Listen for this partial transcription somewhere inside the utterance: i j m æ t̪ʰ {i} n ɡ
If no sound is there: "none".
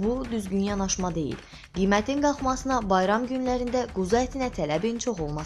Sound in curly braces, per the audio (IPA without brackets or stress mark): i